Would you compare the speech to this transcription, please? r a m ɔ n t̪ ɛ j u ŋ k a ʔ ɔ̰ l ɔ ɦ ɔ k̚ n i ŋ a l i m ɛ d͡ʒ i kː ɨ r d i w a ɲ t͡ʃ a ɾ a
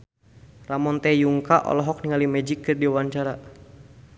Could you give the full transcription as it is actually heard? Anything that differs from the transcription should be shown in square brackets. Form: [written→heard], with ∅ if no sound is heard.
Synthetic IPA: r a m ɔ n t̪ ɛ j u ŋ k a ʔ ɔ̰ l ɔ ɦ ɔ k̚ n i ŋ a l i m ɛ d͡ʒ i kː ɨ r d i w a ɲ t͡ʃ a ɾ a